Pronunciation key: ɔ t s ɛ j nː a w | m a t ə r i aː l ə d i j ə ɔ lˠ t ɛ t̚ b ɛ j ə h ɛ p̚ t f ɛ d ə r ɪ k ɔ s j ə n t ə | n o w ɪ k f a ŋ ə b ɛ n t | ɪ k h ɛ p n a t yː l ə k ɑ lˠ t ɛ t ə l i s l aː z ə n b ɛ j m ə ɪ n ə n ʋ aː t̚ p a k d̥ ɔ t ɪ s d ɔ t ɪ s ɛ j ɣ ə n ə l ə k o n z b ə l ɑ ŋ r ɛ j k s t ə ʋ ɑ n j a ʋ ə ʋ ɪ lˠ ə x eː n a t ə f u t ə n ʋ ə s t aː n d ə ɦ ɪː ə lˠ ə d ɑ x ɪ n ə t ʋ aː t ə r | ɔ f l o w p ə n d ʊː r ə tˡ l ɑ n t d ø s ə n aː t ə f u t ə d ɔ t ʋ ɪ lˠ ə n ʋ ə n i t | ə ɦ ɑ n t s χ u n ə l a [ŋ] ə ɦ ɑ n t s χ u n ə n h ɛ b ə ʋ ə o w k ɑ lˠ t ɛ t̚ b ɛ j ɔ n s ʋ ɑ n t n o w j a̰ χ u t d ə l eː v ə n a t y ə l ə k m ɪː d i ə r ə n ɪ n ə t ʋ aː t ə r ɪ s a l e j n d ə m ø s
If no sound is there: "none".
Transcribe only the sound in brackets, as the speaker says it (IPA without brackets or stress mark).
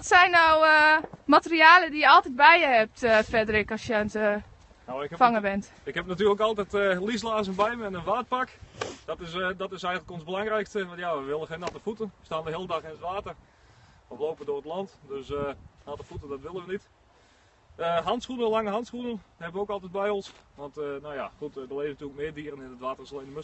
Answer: ŋ